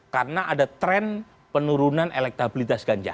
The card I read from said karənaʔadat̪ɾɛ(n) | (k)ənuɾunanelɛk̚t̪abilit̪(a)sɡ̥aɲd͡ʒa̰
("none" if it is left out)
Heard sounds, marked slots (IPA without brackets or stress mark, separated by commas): n, p, a